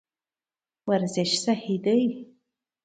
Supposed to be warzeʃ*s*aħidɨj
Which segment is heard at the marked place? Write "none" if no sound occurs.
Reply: s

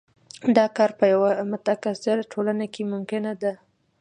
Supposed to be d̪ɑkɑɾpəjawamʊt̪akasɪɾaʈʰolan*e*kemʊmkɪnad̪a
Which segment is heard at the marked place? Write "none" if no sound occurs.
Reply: a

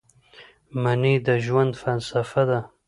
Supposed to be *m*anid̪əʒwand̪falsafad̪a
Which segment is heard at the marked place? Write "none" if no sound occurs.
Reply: m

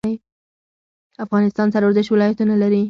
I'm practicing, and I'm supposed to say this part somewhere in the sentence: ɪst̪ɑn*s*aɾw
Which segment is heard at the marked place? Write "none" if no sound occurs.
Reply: s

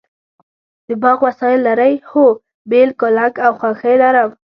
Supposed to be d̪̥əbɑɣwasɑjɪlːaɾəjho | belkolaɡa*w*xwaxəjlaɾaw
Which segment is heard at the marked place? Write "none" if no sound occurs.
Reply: w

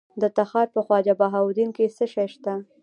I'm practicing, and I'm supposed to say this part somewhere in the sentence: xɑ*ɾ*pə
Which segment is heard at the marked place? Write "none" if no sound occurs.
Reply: ɾ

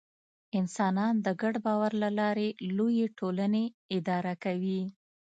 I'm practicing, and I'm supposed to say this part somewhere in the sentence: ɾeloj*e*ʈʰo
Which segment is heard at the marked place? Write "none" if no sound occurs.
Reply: e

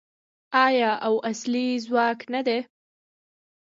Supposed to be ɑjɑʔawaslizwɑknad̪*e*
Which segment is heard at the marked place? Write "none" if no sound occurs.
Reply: e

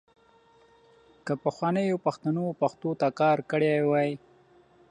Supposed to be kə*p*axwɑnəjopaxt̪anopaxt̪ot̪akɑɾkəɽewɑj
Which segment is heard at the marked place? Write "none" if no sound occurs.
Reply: p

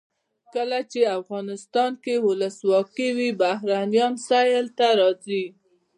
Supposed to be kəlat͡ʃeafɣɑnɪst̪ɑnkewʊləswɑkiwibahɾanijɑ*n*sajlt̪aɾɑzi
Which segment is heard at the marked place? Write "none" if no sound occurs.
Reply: n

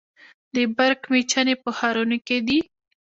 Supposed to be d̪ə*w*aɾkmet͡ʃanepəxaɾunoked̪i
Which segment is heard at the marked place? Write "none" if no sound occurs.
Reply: b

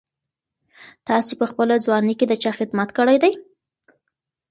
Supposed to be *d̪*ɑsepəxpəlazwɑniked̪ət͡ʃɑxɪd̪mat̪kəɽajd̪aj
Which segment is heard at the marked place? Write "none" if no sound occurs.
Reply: t̪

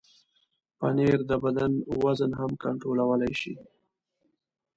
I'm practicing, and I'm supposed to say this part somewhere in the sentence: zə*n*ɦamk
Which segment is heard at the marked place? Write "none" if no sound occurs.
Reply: n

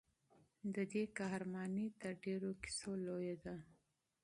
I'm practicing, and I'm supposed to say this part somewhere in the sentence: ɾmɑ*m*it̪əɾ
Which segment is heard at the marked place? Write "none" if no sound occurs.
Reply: n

